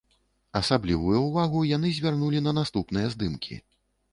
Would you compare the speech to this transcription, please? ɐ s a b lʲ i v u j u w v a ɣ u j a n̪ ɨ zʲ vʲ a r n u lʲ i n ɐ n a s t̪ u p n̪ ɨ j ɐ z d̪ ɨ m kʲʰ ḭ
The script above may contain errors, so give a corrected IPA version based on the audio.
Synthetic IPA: ɐ s a b lʲ i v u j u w v a ɣ u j a n̪ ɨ zʲ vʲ a r n u lʲ i n ɐ n a s t̪ u p n̪ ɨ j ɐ z d̪ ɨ m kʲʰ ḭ